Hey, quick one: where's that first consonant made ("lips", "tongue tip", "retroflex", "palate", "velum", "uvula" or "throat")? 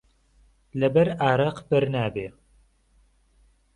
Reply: tongue tip